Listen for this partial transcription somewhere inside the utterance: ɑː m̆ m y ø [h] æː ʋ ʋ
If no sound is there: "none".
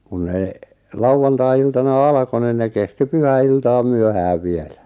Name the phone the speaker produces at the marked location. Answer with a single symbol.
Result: h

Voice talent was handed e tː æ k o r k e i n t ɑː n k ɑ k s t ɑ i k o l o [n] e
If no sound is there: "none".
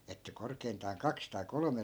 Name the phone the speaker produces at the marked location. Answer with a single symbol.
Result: m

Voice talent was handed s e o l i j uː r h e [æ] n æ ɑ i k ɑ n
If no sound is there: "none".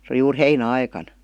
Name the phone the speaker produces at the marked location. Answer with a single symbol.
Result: i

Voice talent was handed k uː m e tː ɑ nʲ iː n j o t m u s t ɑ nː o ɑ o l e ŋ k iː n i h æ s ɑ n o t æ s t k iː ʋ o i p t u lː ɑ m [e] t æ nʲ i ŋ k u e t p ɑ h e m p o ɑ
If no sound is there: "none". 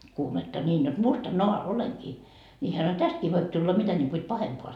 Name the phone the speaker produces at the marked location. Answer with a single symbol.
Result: i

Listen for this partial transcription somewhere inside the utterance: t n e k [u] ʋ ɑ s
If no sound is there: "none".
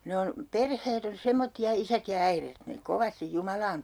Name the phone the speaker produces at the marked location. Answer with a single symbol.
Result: o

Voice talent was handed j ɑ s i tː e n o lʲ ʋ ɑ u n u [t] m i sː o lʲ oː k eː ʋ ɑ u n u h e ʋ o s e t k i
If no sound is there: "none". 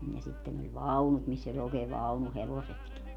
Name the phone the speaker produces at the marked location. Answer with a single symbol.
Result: t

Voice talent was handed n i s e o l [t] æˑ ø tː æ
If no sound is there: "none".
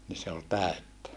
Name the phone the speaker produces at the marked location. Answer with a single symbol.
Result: t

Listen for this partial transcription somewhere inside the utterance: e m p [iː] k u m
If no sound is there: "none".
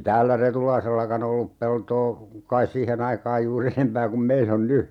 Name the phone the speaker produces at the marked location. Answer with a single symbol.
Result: æː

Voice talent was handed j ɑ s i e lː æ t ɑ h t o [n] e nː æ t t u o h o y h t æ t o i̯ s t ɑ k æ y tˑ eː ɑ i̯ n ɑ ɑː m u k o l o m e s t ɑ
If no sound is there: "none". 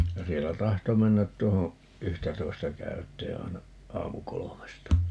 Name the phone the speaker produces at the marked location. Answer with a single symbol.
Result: m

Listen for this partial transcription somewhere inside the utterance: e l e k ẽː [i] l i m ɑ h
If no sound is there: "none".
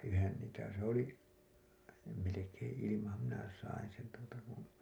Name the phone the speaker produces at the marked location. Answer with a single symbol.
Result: i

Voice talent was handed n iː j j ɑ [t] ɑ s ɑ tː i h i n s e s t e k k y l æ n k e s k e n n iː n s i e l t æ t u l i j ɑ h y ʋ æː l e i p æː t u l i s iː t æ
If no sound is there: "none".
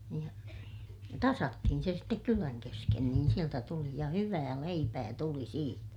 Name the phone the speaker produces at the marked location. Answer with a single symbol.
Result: t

